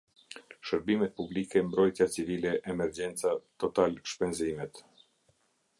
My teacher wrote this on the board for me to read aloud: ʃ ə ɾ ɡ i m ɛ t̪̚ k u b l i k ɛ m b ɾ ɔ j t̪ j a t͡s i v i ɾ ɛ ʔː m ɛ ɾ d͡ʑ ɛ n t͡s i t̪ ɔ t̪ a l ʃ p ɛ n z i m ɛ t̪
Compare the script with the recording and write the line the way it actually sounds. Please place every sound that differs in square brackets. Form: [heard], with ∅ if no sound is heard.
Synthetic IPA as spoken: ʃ ə ɾ [b] i m ɛ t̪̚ [p] u b l i k ɛ m b ɾ ɔ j t̪ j a t͡s i v i [l] ɛ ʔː m ɛ ɾ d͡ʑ ɛ n t͡s [a] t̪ ɔ t̪ a l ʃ p ɛ n z i m ɛ t̪